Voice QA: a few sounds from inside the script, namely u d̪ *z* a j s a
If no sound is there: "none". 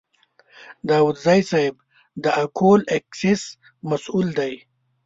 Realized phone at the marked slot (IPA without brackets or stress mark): z